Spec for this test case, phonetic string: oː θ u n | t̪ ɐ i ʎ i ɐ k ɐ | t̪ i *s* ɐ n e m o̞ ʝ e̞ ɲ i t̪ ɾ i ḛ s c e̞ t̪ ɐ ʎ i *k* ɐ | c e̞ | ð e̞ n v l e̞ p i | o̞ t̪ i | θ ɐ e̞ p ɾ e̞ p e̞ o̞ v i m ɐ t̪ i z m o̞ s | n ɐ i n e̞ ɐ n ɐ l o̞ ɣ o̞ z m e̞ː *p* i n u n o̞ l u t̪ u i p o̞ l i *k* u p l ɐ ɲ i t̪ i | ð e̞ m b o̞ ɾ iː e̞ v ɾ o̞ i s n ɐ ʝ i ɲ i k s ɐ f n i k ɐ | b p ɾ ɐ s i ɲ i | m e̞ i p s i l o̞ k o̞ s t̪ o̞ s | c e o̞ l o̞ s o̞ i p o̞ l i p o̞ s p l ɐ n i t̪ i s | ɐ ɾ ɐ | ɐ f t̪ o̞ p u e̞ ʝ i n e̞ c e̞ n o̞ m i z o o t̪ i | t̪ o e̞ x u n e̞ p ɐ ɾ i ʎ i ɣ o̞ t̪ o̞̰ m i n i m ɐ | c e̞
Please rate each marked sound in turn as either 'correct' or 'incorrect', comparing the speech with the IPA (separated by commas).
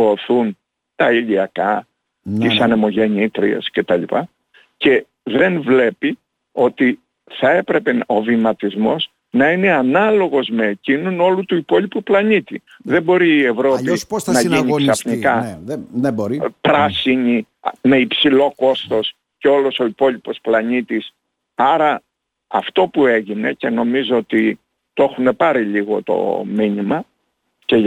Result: correct, incorrect, incorrect, incorrect